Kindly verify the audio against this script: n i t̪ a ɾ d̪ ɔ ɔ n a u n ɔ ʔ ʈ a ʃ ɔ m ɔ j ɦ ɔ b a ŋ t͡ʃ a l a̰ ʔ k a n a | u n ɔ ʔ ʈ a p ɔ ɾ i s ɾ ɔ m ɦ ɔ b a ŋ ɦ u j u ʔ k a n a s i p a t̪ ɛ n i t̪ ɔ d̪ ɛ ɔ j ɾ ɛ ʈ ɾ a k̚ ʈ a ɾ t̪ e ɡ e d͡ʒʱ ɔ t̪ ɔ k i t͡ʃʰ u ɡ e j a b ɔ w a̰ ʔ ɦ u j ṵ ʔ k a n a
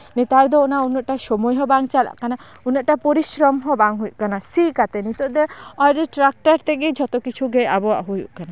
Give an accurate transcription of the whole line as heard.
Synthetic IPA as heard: n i t̪ a ɾ d̪ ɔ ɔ n a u n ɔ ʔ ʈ a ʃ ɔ m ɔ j ɦ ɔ b a ŋ t͡ʃ a l a̰ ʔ k a n a | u n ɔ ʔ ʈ a p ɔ ɾ i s ɾ ɔ m ɦ ɔ b a ŋ ɦ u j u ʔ k a n a s i k a t̪ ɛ n i t̪ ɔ d̪ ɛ ɔ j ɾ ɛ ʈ ɾ a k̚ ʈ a ɾ t̪ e ɡ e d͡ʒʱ ɔ t̪ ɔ k i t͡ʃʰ u ɡ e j a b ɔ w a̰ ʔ ɦ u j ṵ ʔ k a n a